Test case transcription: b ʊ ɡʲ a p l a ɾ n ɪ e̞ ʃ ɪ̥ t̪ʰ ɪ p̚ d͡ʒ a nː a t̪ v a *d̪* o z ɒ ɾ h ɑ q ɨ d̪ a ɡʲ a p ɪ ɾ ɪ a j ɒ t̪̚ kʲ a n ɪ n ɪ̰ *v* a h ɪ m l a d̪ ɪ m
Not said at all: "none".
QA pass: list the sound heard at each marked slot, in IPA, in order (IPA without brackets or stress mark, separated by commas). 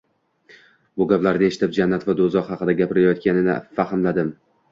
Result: d̪, f